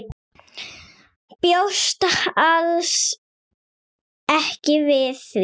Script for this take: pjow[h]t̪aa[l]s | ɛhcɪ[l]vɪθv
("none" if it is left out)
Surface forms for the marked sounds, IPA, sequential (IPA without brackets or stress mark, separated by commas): s, l, none